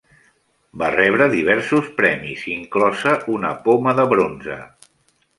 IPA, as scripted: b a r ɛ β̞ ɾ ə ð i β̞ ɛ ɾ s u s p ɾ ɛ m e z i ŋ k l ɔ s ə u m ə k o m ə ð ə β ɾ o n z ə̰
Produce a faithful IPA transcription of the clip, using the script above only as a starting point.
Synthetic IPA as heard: b a r ɛ β̞ ɾ ə ð i β̞ ɛ ɾ s u s p ɾ ɛ m i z i ŋ k l ɔ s ə u n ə p o m ə ð ə β ɾ o n z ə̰